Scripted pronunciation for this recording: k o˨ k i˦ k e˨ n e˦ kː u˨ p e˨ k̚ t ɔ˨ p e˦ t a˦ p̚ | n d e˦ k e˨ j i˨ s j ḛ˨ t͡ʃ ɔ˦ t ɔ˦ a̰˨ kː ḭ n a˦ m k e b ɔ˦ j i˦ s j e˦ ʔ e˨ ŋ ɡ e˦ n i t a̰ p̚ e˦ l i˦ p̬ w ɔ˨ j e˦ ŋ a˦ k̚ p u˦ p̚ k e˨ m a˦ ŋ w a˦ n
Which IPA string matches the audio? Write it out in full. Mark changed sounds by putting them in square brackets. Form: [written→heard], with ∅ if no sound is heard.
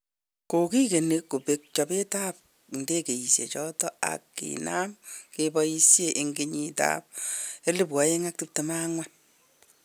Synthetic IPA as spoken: k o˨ k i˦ k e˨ n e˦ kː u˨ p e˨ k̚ [t→t͡ʃ] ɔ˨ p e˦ t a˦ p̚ | n d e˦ k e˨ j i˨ s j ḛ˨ t͡ʃ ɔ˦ t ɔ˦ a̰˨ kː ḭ n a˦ m k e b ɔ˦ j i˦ s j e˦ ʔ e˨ ŋ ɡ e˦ [n→ɲ] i t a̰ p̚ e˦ l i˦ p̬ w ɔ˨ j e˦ ŋ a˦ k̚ [p→t] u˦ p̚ [k→t] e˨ m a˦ ŋ w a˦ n